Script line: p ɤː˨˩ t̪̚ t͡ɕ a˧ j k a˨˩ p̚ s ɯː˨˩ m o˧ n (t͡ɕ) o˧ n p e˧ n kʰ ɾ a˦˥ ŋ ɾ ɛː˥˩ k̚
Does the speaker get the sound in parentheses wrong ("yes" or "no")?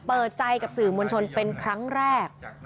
yes